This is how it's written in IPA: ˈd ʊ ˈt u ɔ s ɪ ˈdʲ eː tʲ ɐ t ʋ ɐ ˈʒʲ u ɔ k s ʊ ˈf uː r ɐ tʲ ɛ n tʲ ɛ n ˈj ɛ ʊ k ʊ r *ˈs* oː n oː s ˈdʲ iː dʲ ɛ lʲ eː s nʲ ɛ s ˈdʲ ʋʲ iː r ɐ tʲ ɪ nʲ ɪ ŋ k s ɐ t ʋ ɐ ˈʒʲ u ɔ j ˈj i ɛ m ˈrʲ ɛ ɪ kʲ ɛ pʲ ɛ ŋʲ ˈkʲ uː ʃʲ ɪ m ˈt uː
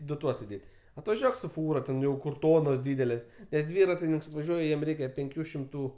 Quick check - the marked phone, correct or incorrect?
incorrect